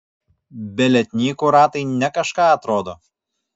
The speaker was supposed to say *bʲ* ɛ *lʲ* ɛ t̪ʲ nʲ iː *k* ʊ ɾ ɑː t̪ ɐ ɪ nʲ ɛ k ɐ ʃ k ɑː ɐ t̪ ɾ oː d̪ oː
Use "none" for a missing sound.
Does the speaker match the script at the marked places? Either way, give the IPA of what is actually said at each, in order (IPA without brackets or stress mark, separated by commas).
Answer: bʲ, lʲ, k